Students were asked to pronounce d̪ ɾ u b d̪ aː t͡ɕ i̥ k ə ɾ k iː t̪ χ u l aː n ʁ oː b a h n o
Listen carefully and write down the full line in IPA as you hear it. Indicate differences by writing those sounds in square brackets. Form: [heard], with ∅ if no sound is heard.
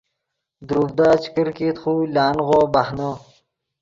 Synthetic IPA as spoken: d̪ ɾ u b d̪ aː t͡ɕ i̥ k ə ɾ k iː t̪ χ u l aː n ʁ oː b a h n o